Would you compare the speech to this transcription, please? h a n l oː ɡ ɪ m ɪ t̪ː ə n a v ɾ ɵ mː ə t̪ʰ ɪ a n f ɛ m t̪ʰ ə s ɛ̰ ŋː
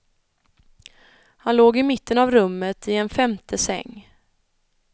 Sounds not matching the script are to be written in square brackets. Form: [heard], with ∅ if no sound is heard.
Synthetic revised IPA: h a n l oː ɡ ɪ m ɪ t̪ː ə n a v ɾ ɵ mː ə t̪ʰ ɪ [ɛ] n f ɛ m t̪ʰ ə s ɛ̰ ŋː